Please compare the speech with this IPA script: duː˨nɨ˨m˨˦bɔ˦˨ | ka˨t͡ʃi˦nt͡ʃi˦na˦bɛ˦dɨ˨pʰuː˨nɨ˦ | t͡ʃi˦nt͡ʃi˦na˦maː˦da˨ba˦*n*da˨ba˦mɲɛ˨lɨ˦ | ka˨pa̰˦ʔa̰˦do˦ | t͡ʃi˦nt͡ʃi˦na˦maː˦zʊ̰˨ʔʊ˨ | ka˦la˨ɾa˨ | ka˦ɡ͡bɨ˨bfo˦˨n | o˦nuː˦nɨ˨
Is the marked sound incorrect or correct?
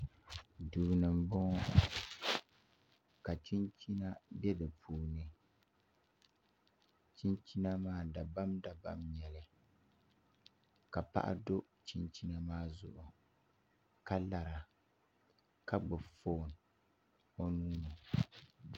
incorrect